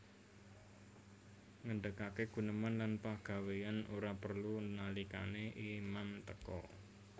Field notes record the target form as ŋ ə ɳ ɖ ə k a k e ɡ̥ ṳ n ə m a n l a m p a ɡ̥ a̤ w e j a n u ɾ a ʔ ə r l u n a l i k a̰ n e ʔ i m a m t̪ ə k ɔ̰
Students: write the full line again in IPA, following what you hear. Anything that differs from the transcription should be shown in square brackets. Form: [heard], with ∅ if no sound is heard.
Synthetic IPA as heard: ŋ ə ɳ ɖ ə k a k e ɡ̥ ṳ n ə m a n l a [n] p a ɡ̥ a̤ w e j a n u ɾ a [p] ə r l u n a l i k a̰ n e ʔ i m a m t̪ ə k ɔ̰